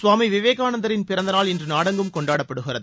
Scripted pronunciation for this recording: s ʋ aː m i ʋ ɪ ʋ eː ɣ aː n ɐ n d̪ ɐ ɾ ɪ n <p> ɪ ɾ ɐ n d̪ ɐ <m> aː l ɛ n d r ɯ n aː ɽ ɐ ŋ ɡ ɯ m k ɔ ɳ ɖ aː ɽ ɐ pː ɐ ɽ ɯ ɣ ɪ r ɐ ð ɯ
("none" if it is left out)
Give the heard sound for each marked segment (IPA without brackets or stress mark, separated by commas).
p, n